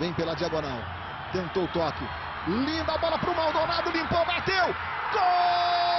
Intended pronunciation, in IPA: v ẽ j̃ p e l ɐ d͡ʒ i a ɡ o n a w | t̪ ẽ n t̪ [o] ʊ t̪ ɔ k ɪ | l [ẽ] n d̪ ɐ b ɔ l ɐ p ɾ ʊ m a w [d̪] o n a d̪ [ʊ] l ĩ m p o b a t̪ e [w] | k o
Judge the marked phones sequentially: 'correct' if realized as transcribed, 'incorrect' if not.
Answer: correct, incorrect, correct, correct, correct

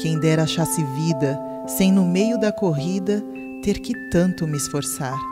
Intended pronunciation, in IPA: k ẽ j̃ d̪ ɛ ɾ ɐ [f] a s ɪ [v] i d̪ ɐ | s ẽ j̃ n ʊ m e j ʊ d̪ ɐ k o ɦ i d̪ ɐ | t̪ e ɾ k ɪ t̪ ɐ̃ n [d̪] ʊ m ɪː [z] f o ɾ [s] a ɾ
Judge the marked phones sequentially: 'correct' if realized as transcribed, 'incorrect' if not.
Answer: incorrect, correct, incorrect, incorrect, correct

